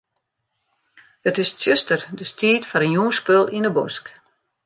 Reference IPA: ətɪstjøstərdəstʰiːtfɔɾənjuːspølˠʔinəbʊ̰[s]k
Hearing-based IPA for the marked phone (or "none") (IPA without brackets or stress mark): s